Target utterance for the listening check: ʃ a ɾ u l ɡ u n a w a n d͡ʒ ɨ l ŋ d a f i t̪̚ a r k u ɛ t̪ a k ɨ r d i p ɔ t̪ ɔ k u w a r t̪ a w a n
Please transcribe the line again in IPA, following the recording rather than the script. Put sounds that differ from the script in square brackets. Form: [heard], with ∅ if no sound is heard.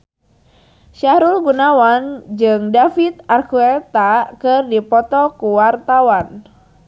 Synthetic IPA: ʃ a ɾ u l ɡ u n a w a n d͡ʒ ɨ [∅] ŋ d a f i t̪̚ a r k u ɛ t̪ a k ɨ r d i p ɔ t̪ ɔ k u w a r t̪ a w a n